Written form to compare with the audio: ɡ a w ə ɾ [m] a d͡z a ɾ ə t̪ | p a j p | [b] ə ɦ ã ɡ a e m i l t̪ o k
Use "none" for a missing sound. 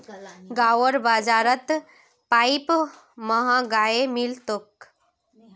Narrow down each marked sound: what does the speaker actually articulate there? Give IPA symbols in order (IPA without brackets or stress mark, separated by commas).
b, m